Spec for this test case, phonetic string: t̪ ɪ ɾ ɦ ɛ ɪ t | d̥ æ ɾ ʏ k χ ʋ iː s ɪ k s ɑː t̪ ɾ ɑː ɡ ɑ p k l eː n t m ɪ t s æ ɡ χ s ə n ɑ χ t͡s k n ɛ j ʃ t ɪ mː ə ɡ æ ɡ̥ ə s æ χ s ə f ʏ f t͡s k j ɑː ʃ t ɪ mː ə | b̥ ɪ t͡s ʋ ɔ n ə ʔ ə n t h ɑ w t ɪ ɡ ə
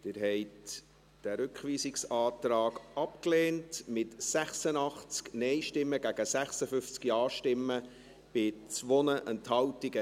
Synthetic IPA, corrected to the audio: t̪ ɪ ɾ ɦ ɛ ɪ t | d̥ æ ɾ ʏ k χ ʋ iː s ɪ k s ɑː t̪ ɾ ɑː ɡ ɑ p k l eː n t m ɪ t s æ χ s ə n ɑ χ t͡s k n ɛ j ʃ t ɪ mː ə ɡ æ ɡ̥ ə s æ χ s ə f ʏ f t͡s k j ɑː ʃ t ɪ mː ə | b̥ ɪ t͡s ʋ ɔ n ə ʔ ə n t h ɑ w t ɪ ɡ ə